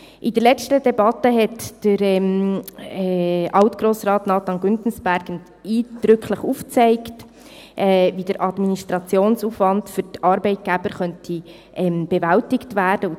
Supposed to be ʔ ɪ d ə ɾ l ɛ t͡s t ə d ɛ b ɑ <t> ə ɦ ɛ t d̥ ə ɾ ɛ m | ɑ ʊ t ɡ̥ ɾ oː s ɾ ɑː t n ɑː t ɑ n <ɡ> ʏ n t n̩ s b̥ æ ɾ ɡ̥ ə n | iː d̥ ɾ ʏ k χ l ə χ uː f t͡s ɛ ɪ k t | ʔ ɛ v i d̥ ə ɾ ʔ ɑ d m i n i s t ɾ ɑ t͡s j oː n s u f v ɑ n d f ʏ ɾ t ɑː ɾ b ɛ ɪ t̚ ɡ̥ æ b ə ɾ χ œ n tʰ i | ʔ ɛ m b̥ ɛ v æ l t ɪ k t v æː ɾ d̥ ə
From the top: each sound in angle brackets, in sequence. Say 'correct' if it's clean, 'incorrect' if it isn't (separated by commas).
correct, correct